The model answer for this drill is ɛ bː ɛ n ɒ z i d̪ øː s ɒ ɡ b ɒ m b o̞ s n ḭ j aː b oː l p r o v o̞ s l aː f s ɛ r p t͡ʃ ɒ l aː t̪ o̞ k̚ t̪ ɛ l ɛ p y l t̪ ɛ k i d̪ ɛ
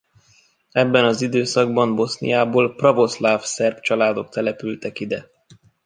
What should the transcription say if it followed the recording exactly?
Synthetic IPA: ɛ bː ɛ n ɒ z i d̪ øː s ɒ ɡ b ɒ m b o̞ s n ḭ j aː b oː l p r ɒ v o̞ s l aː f s ɛ r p t͡ʃ ɒ l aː d̪ o̞ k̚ t̪ ɛ l ɛ p y l t̪ ɛ k i d̪ ɛ